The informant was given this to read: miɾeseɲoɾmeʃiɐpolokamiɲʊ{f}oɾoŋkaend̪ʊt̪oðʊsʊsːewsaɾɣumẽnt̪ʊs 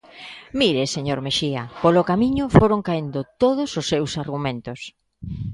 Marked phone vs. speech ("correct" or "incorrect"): correct